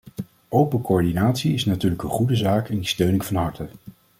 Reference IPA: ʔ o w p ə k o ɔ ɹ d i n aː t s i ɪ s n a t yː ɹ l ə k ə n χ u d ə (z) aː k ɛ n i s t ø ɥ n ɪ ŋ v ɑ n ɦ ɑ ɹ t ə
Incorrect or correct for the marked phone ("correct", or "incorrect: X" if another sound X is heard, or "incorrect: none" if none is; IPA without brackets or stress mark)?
correct